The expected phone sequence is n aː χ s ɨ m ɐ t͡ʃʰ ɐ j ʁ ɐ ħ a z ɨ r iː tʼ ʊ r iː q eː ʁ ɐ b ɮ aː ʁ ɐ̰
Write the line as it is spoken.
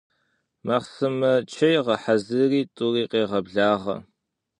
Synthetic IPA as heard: m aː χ s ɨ m ɐ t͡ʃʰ ɐ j ʁ ɐ ħ a z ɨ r iː tʼ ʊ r iː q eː ʁ ɐ b ɮ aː ʁ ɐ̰